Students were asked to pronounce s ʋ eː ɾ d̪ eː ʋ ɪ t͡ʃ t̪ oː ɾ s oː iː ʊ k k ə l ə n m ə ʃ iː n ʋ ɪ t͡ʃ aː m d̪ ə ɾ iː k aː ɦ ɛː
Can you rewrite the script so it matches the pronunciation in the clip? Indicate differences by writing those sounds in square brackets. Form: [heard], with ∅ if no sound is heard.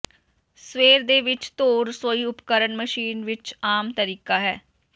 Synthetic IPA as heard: s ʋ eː ɾ d̪ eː ʋ ɪ t͡ʃ t̪ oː ɾ s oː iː ʊ [p] k ə [ɾ] ə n m ə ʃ iː n ʋ ɪ t͡ʃ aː m [t̪] ə ɾ iː k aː ɦ ɛː